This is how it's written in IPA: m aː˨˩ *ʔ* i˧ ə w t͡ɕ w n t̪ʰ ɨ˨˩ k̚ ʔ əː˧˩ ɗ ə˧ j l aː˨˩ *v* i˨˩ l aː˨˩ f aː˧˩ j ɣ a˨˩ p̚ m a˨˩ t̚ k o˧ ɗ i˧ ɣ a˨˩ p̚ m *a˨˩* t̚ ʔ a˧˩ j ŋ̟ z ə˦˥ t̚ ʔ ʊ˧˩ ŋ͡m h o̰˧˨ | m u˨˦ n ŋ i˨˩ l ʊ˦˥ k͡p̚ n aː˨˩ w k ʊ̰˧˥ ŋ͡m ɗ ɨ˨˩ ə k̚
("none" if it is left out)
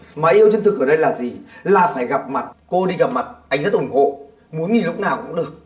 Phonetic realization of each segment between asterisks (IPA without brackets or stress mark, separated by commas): ʔ, z, a˨˩